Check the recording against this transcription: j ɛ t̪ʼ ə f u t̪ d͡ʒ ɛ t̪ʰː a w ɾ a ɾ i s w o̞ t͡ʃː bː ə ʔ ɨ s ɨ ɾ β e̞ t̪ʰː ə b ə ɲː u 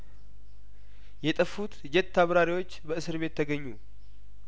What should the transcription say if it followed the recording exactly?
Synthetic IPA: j ɛ t̪ʼ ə f u t̪ d͡ʒ ɛ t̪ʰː a β ɾ a ɾ i w o̞ t͡ʃː b ə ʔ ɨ s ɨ ɾ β e̞ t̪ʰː ə ɡ ə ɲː u